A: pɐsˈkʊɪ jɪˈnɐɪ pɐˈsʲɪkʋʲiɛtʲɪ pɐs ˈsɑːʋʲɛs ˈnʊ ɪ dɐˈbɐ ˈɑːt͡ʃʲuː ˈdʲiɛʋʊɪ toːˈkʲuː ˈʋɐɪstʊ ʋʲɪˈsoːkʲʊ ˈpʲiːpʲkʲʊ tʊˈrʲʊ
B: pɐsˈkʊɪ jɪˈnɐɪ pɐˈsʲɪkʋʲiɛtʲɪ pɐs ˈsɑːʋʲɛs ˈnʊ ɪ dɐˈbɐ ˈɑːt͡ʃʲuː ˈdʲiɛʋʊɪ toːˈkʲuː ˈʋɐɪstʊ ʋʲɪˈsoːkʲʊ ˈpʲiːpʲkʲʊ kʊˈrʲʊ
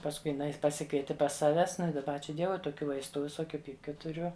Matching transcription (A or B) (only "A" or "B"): A